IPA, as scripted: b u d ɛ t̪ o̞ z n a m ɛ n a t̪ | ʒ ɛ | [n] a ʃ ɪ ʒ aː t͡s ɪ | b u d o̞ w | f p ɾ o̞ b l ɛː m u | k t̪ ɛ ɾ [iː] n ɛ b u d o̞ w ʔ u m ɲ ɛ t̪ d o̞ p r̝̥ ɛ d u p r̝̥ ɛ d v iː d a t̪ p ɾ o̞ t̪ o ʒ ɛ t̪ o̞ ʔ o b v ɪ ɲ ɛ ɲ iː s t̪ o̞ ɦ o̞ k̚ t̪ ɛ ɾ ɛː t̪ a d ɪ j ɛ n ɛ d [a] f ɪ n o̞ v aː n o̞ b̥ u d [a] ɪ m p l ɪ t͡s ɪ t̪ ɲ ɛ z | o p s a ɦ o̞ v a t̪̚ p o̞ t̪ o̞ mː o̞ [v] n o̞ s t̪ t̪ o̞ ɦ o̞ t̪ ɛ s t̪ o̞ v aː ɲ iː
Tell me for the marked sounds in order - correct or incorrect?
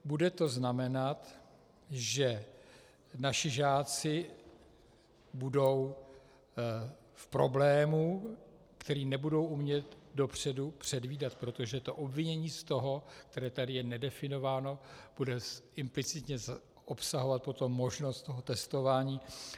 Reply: correct, correct, incorrect, incorrect, incorrect

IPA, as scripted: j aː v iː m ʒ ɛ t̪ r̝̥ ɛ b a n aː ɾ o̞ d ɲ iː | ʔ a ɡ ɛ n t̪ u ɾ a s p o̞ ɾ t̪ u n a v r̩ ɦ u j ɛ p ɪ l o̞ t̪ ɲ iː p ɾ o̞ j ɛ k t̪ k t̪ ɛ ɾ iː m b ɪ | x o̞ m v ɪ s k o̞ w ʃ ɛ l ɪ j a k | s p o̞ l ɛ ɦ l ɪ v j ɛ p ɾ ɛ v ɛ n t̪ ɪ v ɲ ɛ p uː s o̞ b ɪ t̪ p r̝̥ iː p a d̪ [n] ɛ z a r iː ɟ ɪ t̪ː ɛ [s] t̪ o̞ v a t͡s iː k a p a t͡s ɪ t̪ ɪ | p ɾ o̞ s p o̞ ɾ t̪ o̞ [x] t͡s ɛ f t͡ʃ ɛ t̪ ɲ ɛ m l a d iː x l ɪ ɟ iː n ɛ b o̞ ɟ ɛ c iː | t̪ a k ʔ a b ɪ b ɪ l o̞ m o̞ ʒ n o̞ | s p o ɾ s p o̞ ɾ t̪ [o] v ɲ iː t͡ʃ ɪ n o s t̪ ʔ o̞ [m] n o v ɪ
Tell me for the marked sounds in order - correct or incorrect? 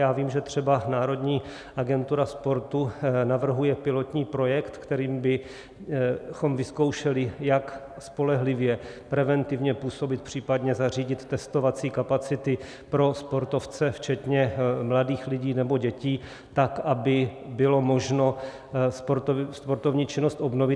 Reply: incorrect, correct, incorrect, correct, incorrect

